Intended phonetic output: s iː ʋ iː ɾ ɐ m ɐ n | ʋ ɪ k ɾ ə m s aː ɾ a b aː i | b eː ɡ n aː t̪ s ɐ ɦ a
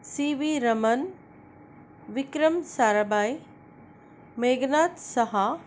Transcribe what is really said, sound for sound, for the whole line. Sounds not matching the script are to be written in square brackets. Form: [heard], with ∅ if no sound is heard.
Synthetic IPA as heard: s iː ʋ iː ɾ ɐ m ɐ n | ʋ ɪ k ɾ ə m s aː ɾ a b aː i | [m] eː ɡ n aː t̪ s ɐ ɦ a